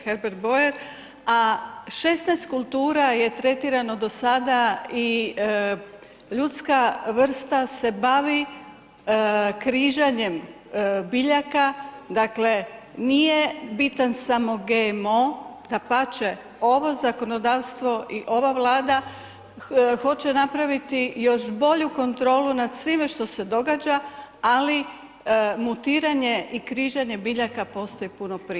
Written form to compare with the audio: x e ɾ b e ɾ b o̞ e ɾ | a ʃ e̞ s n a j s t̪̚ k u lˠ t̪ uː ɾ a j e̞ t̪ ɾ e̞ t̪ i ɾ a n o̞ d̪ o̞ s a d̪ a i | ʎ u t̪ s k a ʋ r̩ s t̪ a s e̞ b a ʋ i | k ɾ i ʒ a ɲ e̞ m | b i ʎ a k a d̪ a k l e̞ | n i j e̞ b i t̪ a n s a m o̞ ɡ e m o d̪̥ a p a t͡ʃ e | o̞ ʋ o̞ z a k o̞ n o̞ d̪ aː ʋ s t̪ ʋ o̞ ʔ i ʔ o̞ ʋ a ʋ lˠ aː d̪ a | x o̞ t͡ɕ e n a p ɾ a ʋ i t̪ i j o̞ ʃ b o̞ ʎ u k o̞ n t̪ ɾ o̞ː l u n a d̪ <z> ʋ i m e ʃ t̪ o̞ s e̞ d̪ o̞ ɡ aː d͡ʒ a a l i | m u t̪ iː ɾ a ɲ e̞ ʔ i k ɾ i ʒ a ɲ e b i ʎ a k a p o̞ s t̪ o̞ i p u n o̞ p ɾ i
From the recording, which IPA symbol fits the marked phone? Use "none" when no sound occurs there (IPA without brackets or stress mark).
s